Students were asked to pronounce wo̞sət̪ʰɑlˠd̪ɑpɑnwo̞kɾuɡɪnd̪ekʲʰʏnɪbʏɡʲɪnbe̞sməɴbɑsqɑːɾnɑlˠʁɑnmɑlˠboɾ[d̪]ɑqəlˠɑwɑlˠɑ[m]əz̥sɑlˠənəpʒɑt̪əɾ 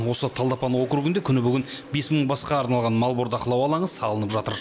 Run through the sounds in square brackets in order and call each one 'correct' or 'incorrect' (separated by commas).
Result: correct, incorrect